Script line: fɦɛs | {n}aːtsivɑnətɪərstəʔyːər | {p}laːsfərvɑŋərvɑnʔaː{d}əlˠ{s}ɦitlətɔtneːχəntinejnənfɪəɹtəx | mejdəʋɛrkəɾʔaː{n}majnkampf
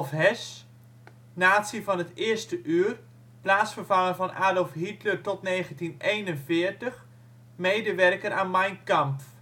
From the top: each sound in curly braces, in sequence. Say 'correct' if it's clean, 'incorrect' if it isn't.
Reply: correct, correct, correct, incorrect: f, correct

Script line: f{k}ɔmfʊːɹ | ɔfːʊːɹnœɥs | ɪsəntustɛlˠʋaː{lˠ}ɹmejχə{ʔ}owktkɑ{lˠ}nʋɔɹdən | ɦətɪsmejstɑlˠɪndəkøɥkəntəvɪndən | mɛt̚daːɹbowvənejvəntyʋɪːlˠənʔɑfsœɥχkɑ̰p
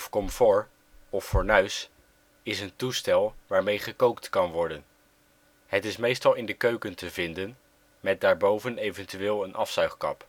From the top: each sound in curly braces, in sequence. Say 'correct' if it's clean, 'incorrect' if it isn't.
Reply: correct, incorrect: none, incorrect: k, incorrect: none

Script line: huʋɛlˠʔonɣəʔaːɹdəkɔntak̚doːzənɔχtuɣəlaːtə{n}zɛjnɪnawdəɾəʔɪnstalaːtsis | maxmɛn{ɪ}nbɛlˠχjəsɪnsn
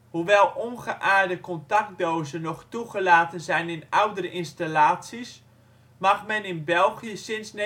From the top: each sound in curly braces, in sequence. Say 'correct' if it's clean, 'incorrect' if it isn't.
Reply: correct, correct

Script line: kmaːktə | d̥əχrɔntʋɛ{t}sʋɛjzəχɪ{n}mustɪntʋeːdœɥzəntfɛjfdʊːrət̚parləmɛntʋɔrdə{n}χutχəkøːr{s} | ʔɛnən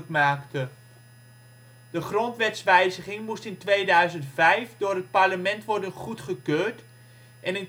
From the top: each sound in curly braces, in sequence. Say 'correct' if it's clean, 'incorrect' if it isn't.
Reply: correct, incorrect: ŋ, correct, incorrect: t

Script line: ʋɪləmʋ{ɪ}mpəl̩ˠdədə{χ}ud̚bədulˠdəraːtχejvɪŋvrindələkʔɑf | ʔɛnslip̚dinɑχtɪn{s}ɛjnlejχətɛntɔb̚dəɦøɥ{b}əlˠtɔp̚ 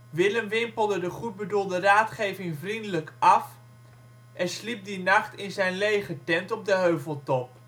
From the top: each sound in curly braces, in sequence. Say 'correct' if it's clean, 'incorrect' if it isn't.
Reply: correct, correct, incorrect: z, incorrect: v

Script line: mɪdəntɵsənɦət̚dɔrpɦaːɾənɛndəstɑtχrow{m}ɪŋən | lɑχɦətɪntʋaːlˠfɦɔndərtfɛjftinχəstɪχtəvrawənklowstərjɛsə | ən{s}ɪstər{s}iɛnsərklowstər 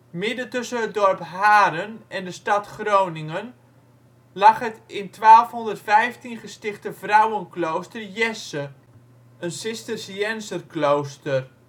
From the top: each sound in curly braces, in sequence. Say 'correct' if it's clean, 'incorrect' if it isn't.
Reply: incorrect: n, correct, correct

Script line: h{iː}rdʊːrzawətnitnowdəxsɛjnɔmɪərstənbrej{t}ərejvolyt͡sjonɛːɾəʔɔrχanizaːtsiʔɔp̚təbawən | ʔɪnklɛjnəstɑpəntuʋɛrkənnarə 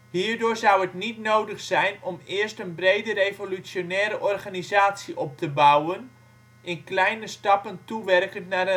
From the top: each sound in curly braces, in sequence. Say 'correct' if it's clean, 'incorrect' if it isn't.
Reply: correct, incorrect: d

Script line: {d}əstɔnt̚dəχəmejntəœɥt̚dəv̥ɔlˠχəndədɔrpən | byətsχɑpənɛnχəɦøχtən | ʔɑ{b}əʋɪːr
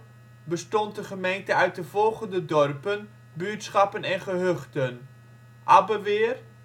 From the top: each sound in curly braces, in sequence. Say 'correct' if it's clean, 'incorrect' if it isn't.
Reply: incorrect: b, correct

